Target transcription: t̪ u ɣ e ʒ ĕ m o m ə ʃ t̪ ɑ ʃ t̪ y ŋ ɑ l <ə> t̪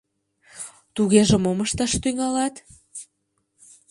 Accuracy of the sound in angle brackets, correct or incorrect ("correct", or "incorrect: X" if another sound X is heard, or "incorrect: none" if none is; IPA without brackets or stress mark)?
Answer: incorrect: ɑ